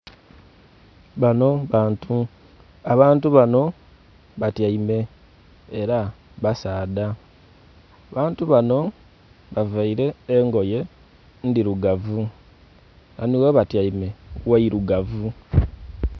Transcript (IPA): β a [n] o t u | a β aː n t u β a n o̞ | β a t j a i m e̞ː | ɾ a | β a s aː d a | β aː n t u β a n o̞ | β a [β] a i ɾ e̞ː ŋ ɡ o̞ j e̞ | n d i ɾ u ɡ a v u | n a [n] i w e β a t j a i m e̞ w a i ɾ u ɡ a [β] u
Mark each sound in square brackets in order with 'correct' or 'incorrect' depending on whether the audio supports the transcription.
correct, incorrect, correct, incorrect

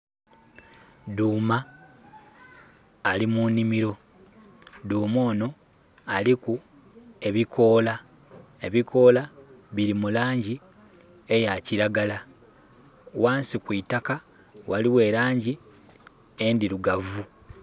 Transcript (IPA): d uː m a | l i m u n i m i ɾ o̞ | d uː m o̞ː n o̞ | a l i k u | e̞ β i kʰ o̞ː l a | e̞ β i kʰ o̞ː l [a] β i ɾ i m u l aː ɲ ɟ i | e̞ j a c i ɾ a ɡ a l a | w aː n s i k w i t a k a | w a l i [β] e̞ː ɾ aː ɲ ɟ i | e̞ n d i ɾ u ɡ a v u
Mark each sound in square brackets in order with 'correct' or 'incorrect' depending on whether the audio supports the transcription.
correct, incorrect

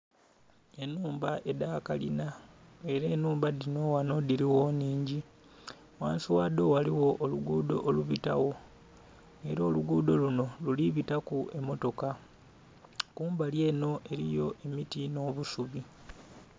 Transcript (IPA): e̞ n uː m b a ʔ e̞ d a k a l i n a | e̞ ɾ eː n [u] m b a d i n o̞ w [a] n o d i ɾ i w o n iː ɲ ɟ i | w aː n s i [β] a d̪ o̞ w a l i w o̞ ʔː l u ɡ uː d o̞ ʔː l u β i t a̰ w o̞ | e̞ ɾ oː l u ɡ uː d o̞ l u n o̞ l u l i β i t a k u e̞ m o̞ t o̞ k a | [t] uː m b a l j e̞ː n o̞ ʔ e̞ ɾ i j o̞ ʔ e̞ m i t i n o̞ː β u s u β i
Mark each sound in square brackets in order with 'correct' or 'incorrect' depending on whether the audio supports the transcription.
incorrect, correct, incorrect, incorrect

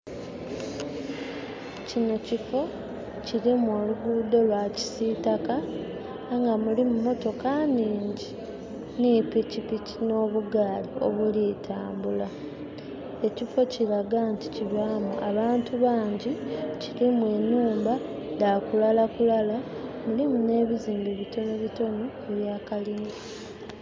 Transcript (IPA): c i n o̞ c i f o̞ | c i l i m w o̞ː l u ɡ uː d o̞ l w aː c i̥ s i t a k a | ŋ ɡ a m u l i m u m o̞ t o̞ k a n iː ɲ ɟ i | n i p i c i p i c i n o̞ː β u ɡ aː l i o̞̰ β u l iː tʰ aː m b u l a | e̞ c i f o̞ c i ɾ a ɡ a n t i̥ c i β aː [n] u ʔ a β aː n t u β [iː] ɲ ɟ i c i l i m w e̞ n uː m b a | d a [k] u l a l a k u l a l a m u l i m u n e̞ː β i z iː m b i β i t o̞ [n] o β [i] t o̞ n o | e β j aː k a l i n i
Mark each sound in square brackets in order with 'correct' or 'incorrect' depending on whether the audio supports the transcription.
incorrect, incorrect, correct, correct, correct

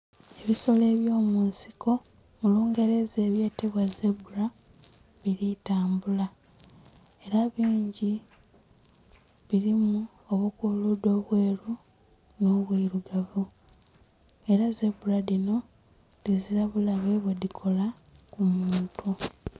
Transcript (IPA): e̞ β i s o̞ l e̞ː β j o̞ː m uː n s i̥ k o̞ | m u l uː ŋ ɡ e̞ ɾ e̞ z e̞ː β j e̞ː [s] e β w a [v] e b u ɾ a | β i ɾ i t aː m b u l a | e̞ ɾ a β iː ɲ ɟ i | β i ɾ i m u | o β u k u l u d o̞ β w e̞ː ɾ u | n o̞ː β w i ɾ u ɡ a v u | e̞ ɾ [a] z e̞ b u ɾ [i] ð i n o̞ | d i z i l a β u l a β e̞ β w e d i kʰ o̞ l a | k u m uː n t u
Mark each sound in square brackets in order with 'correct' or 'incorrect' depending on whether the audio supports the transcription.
incorrect, incorrect, correct, incorrect

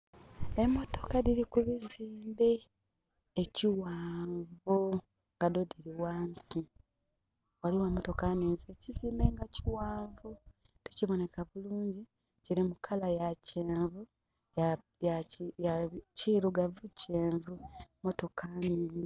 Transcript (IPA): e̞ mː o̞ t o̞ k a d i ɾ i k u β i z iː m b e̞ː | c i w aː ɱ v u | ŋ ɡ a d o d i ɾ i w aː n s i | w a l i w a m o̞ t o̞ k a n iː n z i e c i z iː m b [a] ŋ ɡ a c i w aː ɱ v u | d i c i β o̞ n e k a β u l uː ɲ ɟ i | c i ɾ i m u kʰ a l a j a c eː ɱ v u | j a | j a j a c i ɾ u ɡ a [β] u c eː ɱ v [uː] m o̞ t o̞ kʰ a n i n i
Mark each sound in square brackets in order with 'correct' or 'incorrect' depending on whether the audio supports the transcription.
incorrect, incorrect, incorrect

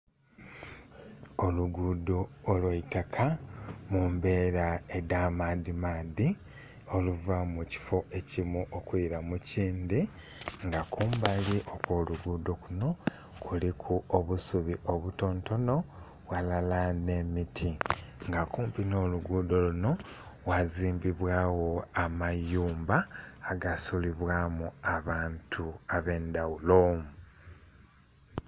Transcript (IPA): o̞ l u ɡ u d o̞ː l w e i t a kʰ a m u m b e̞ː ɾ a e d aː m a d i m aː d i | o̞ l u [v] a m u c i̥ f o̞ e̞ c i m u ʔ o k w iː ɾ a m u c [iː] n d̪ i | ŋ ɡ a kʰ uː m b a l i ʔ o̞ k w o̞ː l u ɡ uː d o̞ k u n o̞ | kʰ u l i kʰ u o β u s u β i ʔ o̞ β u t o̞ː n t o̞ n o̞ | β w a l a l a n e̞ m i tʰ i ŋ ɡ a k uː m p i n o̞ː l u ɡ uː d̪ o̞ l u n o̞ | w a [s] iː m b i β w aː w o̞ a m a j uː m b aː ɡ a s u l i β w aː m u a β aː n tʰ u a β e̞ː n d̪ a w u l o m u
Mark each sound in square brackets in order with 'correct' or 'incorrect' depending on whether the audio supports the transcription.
correct, correct, incorrect

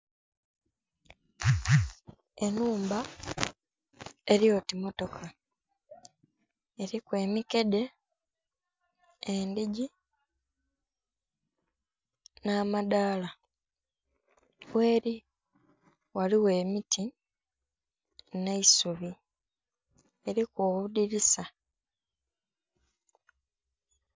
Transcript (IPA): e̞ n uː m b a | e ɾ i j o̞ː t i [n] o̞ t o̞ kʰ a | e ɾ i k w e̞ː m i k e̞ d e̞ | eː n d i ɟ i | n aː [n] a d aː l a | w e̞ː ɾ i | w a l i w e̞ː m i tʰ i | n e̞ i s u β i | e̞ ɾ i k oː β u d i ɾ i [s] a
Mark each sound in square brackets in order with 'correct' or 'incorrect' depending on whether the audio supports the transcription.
incorrect, incorrect, correct

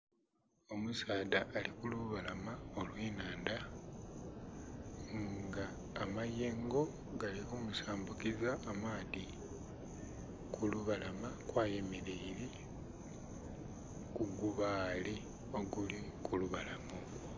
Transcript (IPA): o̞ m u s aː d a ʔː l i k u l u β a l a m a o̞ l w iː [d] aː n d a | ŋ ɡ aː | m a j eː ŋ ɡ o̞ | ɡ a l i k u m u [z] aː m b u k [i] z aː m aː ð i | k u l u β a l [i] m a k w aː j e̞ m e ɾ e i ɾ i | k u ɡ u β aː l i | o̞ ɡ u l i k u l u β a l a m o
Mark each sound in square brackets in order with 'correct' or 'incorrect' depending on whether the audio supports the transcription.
incorrect, incorrect, correct, incorrect

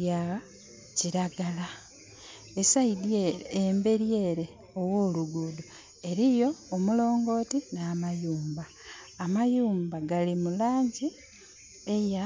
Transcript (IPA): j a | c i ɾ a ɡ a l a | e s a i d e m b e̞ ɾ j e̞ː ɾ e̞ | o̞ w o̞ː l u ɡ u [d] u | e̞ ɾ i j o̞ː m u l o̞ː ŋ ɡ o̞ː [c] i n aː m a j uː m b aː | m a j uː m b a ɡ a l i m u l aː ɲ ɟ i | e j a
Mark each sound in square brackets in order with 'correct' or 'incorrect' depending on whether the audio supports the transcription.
correct, incorrect

